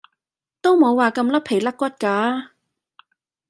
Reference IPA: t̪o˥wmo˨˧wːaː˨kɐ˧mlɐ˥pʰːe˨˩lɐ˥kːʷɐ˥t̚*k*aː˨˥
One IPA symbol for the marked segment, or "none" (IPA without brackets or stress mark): k